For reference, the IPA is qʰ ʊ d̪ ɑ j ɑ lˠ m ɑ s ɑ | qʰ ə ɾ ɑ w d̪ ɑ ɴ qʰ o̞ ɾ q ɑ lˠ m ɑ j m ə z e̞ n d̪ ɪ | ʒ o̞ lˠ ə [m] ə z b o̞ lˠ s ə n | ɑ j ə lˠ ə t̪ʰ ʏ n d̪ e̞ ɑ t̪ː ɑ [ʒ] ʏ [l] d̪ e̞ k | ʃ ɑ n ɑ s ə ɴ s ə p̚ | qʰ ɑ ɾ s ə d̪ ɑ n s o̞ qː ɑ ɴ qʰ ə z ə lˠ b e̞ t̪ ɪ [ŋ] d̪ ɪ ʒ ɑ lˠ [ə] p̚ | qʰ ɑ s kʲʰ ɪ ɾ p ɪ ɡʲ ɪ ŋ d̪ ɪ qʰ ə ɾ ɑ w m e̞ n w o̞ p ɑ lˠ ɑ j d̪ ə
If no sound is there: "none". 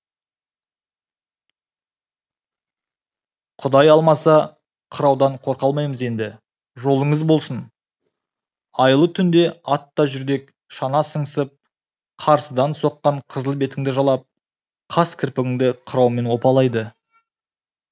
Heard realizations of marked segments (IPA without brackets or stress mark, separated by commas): ɴ, ʒ, ɾ, ŋ, ɑ